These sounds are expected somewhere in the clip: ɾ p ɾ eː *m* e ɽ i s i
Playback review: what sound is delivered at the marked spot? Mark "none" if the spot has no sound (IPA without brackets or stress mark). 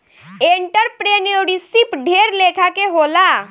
n